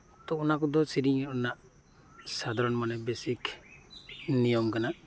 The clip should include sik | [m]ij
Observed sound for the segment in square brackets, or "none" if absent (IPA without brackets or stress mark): n